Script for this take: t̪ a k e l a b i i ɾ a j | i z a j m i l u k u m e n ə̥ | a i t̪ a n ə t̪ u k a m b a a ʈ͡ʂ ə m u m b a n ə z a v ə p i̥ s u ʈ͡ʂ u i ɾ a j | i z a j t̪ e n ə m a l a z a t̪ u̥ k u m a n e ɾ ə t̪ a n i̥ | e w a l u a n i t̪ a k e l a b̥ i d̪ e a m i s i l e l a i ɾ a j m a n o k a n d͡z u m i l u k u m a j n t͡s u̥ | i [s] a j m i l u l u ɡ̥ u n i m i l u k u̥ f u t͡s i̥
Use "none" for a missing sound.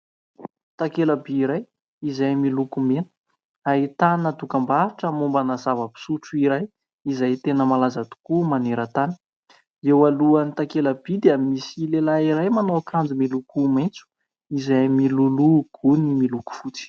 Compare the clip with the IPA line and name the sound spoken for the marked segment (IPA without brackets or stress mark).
z